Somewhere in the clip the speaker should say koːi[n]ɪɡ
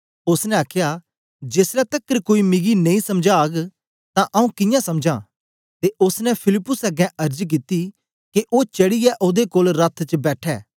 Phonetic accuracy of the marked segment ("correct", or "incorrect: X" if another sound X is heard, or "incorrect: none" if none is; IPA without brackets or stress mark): incorrect: m